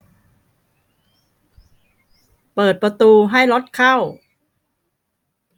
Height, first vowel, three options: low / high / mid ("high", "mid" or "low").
mid